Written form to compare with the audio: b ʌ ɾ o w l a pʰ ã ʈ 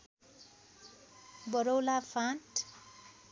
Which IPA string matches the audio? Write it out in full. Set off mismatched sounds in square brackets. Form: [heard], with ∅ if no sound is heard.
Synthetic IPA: b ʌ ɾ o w l a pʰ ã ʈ